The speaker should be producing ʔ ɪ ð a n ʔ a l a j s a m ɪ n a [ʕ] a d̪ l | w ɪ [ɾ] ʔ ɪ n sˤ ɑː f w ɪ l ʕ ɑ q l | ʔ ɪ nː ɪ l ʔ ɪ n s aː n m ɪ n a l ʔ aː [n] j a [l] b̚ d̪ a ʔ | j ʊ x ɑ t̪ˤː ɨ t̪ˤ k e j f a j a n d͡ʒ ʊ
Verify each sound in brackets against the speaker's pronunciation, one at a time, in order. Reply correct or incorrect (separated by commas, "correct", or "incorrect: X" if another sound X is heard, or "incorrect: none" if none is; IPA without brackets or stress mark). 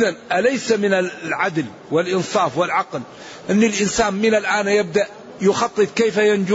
correct, incorrect: l, correct, incorrect: none